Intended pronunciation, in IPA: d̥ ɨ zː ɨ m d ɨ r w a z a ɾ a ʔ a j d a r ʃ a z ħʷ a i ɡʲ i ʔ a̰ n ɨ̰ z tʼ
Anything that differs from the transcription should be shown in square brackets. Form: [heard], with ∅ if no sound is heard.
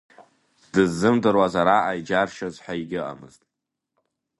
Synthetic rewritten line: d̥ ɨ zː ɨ m d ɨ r w a z a ɾ a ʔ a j [d͡ʒ] a r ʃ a z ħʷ a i ɡʲ [ɪ] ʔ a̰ [m] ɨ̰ z tʼ